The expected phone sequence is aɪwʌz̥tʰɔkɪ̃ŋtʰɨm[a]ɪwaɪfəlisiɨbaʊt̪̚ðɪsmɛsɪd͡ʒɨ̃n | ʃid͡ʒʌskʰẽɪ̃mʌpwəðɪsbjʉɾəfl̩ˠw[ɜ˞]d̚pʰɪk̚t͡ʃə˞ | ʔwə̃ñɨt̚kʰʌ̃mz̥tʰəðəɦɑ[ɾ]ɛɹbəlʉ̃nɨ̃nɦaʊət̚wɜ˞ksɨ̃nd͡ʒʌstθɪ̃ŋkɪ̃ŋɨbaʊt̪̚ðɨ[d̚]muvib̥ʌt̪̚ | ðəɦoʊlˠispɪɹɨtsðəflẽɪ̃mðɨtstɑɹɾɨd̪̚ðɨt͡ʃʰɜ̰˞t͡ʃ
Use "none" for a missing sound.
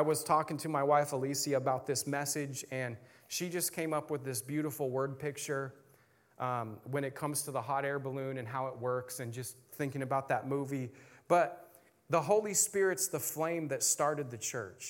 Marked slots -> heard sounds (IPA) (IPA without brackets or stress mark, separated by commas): a, ɜ˞, ɾ, t̚